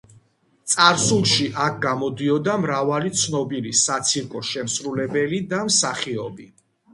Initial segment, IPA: t̪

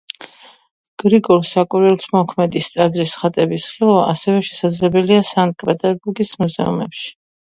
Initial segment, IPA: ɡ̥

